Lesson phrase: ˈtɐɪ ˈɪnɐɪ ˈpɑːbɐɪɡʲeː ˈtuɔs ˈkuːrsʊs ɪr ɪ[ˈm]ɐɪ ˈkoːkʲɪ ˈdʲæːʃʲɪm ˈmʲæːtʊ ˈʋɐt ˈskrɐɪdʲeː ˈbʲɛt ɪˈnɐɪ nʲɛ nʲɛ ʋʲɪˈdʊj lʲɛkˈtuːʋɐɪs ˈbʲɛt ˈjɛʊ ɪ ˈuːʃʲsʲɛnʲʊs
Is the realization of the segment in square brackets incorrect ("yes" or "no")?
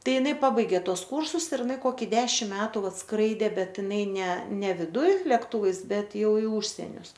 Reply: yes